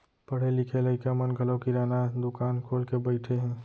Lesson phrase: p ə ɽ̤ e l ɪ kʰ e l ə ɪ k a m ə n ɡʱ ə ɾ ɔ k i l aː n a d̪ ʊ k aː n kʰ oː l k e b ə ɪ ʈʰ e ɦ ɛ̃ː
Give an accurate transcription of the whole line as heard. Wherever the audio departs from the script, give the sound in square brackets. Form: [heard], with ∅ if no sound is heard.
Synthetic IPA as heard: p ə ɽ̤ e l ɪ kʰ e l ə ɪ k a m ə n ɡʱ ə [l] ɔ k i [ɾ] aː n a d̪ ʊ k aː n kʰ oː l k e b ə ɪ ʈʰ e ɦ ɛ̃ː